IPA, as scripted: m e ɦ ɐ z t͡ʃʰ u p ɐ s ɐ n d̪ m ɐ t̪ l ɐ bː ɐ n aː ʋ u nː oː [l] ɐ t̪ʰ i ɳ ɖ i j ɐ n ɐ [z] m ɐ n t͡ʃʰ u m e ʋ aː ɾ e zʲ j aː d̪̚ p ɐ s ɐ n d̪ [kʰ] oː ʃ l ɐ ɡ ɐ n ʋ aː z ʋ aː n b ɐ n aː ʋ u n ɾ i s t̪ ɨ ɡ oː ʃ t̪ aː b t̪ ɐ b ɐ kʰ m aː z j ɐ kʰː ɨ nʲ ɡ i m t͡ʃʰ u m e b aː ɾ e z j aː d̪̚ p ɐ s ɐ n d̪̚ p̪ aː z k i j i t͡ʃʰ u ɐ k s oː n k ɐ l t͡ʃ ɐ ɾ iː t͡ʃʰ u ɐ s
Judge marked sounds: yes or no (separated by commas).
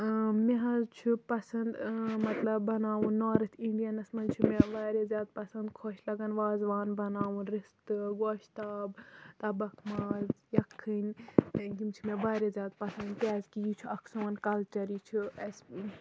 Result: no, no, yes